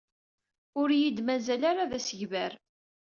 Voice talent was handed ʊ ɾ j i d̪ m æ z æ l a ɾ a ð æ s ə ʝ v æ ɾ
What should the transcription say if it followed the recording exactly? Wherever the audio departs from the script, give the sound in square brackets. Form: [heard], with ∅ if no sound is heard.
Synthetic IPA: ʊ ɾ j i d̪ m æ z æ l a ɾ a ð æ s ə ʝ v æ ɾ